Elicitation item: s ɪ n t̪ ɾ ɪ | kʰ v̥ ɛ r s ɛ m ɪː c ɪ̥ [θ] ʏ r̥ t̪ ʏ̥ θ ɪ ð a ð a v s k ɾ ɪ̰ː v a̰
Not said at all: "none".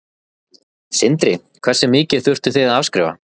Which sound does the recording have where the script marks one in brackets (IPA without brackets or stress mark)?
θ